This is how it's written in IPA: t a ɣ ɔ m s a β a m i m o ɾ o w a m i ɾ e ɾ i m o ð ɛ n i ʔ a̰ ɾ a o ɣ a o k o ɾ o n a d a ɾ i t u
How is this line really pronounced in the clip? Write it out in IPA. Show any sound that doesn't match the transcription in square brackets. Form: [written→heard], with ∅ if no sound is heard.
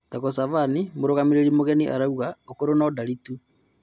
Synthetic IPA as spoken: t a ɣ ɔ [m→∅] s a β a [m→n] i m o ɾ o [w→ɣ] a m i ɾ e ɾ i m o [ð→ɣ] ɛ n i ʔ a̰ ɾ a [o→u] ɣ a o k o ɾ o n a d a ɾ i t u